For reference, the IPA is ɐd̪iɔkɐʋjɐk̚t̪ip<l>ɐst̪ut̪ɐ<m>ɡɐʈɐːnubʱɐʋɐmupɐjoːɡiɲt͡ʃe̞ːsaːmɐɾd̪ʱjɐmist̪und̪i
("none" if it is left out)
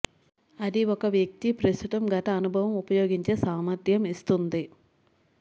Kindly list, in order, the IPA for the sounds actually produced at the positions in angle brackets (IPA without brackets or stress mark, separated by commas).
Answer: ɾ, m